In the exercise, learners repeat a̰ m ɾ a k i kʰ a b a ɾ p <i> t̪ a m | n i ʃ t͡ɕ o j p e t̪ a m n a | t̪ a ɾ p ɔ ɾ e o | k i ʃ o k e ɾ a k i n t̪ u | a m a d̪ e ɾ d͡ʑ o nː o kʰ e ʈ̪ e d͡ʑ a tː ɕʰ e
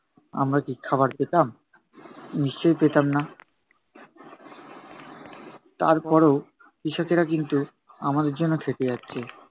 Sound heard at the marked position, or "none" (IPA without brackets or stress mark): e